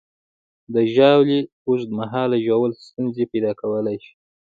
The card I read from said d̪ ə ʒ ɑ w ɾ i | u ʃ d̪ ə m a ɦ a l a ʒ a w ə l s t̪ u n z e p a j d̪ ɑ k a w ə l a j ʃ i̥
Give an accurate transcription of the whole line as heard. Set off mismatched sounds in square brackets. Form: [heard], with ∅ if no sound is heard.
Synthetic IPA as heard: d̪ ə ʒ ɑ w [l] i | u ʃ d̪ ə m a ɦ [ɑ] l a ʒ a w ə l s t̪ u n z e p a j d̪ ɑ k a w ə l a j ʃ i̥